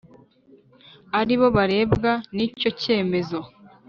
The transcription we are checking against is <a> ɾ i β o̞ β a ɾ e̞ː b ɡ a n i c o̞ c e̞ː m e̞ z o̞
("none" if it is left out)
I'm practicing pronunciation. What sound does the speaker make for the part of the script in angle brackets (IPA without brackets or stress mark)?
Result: a